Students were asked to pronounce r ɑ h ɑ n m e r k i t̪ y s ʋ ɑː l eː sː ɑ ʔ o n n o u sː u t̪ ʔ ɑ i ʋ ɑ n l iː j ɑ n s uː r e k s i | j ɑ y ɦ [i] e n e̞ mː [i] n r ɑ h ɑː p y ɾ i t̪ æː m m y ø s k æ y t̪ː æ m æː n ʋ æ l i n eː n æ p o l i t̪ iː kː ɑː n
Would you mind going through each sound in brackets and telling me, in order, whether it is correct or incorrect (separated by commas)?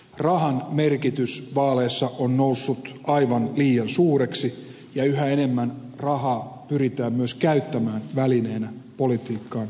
incorrect, incorrect